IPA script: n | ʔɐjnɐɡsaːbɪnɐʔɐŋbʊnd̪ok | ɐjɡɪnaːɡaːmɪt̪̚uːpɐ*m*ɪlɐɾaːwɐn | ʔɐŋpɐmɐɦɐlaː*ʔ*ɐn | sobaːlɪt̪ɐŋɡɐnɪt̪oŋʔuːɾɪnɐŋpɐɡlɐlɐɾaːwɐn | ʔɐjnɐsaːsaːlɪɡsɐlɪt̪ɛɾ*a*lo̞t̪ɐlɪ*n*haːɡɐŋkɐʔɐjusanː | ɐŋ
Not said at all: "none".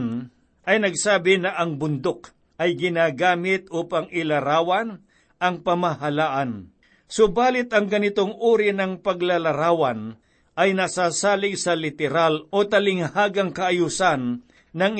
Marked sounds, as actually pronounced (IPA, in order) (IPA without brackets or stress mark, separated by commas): ŋ, ʔ, a, ŋ